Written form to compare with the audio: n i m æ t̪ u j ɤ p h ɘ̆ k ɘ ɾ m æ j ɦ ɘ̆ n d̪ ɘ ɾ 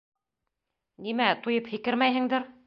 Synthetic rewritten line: n i m æ t̪ u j ɤ p h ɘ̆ k ɘ ɾ m æ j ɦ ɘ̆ ŋ d̪ ɘ ɾ